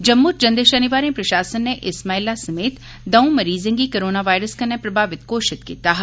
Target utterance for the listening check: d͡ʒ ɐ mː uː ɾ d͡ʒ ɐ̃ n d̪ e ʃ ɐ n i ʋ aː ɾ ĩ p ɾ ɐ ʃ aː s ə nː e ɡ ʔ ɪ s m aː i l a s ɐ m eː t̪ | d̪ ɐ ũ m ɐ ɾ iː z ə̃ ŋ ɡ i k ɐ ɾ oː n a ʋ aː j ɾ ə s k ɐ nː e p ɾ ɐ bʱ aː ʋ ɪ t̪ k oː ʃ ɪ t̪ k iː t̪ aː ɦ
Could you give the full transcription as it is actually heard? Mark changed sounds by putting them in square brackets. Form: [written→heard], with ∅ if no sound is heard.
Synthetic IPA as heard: d͡ʒ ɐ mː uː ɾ d͡ʒ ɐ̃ n d̪ e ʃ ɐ n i ʋ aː ɾ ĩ p ɾ ɐ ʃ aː s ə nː e [ɡ→∅] ʔ ɪ s m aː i l a s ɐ m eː t̪ | d̪ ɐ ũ m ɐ ɾ iː z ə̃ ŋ ɡ i k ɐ ɾ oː n a ʋ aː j ɾ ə s k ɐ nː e p ɾ ɐ bʱ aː ʋ ɪ t̪ k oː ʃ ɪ t̪ k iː t̪ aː ɦ